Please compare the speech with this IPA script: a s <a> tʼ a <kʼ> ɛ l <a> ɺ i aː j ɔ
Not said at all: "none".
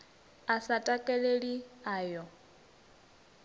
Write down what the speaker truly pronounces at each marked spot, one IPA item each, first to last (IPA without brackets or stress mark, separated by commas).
a, kʼ, e